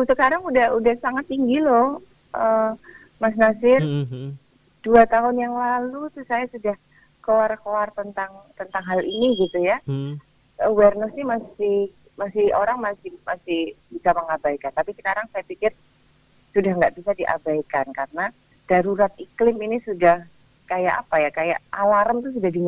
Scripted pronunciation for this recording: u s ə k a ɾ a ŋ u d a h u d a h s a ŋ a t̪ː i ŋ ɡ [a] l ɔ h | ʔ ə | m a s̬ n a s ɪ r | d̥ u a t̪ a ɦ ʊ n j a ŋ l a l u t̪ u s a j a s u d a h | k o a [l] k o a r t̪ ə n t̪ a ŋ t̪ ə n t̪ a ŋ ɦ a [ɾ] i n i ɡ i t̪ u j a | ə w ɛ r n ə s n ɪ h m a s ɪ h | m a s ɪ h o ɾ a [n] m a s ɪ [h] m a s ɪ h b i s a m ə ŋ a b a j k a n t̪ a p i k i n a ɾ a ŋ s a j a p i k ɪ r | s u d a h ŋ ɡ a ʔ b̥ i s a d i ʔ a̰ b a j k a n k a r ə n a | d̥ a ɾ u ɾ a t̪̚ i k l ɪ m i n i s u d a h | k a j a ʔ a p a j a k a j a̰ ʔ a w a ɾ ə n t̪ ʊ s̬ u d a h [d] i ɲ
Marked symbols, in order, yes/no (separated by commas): no, no, no, no, yes, yes